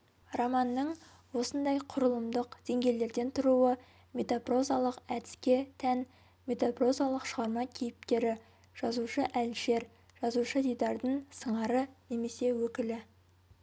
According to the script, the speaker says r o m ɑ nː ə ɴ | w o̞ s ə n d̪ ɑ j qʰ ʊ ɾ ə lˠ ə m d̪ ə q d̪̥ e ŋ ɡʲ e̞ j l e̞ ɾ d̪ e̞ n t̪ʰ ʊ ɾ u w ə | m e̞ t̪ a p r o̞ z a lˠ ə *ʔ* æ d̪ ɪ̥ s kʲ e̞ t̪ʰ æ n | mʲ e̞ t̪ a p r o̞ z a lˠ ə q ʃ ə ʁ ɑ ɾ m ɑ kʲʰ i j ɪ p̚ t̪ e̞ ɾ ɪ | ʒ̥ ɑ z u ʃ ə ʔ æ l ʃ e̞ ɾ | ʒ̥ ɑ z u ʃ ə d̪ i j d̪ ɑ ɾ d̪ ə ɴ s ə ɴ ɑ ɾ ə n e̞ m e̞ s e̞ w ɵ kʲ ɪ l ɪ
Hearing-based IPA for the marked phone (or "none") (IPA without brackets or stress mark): q